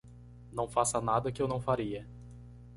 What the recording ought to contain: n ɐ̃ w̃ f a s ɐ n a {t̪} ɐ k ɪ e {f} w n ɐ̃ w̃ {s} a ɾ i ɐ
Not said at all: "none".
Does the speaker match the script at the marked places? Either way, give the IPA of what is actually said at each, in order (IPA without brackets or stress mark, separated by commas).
d̪, none, f